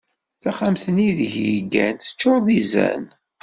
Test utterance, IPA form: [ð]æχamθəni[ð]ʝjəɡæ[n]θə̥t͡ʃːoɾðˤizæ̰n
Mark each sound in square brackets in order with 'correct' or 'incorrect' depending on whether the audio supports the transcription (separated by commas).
incorrect, correct, correct